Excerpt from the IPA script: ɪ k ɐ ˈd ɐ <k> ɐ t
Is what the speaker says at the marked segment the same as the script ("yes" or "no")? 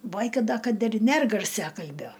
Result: yes